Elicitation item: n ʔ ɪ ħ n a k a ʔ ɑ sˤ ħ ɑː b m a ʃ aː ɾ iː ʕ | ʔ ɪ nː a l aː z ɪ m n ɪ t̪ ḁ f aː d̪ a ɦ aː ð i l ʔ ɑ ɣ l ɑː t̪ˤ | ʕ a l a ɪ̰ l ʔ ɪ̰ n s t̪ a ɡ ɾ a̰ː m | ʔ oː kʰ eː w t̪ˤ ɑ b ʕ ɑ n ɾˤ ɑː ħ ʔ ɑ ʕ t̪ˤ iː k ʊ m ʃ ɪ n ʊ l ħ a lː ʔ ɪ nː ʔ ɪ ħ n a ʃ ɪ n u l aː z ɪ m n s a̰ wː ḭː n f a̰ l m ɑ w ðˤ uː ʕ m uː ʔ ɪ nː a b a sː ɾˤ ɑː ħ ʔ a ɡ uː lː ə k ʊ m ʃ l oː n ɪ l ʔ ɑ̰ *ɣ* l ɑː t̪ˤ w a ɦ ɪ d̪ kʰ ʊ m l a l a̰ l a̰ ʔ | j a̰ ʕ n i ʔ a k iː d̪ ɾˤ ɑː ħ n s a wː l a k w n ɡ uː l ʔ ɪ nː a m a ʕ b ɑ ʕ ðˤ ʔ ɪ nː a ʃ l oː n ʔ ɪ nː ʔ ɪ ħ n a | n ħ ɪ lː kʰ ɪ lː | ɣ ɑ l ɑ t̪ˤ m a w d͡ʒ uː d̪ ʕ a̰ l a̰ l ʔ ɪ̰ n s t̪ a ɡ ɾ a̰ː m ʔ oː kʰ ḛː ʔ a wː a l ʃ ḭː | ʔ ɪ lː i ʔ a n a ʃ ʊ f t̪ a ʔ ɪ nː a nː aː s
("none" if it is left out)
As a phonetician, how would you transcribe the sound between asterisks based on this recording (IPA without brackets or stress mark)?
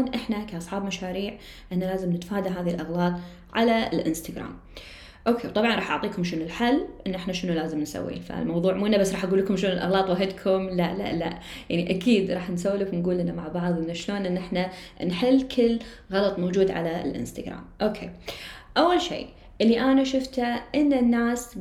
ɣ